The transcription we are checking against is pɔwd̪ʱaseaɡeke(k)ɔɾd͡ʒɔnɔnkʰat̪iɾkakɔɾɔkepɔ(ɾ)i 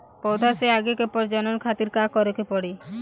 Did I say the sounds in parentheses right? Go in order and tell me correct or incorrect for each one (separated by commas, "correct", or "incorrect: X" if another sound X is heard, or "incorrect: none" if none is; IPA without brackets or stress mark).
incorrect: p, incorrect: ɽ